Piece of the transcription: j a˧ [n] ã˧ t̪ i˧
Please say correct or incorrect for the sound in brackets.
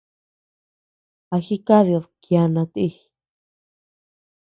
correct